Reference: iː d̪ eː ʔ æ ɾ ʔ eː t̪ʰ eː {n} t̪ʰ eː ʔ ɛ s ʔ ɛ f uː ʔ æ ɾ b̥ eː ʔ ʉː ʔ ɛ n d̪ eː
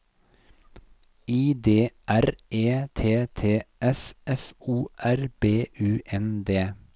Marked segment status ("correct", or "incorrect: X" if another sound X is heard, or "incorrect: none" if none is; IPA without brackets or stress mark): incorrect: none